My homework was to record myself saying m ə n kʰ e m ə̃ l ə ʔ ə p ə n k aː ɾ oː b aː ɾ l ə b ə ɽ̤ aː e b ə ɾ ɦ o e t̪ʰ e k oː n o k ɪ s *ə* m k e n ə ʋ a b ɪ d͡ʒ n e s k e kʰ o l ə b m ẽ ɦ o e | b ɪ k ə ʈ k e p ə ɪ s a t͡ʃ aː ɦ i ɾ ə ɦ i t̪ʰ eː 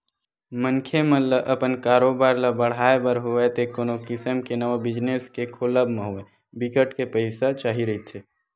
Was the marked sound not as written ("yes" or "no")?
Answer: no